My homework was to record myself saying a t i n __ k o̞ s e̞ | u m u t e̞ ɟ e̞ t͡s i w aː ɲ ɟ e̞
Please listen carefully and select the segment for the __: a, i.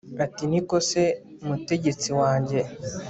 i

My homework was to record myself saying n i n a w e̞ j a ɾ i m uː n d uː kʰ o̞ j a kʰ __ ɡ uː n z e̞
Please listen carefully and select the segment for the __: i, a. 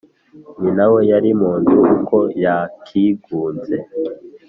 i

